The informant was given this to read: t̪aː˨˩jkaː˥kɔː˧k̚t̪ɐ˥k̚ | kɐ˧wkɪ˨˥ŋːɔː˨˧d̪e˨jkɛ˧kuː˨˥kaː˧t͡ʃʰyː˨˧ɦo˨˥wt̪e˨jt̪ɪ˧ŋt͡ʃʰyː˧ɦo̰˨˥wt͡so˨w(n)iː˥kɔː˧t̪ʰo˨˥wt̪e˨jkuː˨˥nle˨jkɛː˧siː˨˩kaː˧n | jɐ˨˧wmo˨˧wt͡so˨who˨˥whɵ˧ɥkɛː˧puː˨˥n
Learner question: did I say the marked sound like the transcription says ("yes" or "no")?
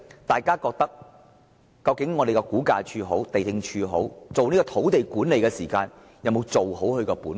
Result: yes